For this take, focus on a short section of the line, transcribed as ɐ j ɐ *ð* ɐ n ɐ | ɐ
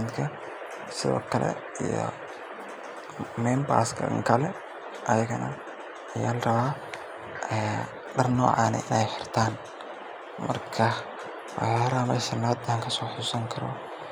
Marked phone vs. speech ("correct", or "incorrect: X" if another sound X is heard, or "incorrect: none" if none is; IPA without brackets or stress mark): incorrect: ɣ